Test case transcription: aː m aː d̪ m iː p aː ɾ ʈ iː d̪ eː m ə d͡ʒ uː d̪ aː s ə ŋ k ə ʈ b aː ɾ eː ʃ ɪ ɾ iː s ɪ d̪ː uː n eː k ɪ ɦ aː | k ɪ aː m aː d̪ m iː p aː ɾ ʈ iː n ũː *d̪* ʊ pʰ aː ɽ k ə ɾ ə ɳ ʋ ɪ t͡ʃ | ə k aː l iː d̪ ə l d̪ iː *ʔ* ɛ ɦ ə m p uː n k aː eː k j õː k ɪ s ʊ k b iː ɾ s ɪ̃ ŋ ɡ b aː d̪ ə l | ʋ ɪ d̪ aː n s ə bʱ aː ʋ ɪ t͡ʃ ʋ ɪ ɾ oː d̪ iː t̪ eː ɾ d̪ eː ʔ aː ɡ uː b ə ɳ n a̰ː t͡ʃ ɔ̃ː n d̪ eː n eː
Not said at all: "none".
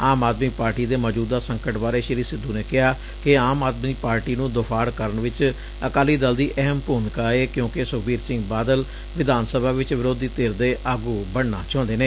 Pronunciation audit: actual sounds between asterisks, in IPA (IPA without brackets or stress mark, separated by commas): d̪, ʔ